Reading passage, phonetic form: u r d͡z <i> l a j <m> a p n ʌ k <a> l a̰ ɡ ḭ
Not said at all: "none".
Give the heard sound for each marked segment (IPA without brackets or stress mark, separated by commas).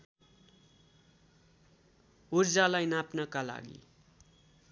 a, n, a